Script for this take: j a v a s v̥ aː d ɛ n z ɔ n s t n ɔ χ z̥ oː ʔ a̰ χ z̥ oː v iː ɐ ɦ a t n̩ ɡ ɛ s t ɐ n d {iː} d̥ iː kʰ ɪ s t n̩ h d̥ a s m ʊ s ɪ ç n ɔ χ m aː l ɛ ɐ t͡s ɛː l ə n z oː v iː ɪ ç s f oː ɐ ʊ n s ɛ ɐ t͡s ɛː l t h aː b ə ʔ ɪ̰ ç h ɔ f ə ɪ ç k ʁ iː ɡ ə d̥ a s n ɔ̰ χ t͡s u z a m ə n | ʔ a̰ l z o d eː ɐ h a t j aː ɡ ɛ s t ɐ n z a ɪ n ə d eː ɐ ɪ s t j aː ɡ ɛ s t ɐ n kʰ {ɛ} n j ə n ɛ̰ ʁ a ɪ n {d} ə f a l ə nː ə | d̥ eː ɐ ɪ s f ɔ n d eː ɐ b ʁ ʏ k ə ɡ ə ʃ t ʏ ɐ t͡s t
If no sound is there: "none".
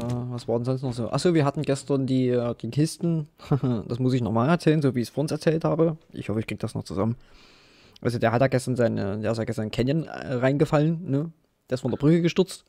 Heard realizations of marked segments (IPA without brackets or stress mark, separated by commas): iː, ɛ, ɡ